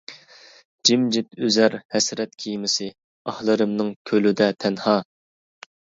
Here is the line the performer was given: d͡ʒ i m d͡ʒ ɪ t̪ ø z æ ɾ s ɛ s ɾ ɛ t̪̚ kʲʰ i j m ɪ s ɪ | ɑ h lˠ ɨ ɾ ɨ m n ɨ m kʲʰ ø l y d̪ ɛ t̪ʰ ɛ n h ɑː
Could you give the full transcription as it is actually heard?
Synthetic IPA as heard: d͡ʒ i m d͡ʒ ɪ t̪ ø z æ ɾ h ɛ s ɾ ɛ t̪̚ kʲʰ i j m ɪ s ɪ | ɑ h lˠ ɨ ɾ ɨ m n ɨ ŋ kʲʰ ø l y d̪ ɛ t̪ʰ ɛ n h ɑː